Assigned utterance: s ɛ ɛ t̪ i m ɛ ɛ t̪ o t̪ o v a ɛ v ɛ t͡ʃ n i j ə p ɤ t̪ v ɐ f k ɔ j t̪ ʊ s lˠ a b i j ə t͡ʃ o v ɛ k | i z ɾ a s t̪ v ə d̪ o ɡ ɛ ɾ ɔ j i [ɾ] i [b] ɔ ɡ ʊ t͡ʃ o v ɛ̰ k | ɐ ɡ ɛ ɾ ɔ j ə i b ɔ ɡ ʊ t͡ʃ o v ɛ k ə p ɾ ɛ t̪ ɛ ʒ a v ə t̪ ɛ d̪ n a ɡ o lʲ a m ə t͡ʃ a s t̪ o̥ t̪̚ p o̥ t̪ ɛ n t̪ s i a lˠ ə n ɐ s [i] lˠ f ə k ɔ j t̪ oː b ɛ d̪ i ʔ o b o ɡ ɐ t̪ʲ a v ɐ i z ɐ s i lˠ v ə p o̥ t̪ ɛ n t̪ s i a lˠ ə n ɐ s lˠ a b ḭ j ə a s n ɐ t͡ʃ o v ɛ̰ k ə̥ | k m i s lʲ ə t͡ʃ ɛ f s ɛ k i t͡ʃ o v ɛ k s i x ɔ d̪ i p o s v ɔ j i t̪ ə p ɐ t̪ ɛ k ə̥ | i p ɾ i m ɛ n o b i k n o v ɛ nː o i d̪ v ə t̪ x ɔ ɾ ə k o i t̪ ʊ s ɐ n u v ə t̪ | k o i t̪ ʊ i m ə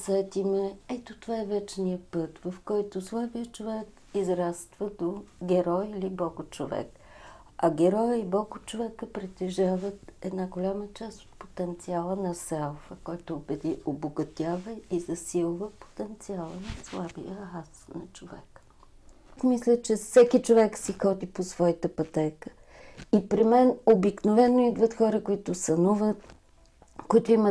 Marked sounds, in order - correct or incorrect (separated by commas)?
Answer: incorrect, correct, incorrect